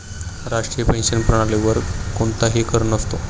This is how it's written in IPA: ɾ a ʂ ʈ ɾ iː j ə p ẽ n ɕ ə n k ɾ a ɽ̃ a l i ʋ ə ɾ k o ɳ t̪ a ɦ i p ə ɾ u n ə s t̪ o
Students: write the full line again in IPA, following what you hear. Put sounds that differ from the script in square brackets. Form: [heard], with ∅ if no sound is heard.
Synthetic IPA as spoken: ɾ a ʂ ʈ ɾ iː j ə p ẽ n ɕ ə n [p] ɾ [ə] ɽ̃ a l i ʋ ə ɾ k o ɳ t̪ a ɦ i [k] ə ɾ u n ə s t̪ o